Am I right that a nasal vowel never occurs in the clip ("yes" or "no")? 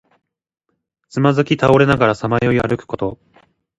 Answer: yes